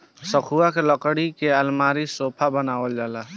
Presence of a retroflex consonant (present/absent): present